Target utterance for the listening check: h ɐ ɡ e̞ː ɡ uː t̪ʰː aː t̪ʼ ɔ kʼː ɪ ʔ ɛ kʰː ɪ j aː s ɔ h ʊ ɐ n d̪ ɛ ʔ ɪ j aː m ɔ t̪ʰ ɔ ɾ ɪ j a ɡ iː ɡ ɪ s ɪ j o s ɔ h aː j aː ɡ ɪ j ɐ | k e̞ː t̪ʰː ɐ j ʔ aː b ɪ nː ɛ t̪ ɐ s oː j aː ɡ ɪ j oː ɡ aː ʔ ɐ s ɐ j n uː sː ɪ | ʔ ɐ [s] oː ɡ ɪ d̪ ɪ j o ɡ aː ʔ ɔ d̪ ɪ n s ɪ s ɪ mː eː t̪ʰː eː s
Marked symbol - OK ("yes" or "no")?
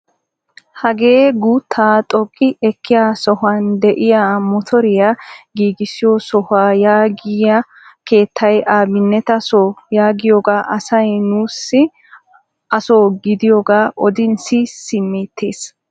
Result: yes